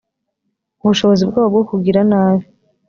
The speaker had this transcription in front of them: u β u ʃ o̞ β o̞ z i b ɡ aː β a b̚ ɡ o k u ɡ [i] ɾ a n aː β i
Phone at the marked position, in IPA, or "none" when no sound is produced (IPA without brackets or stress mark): i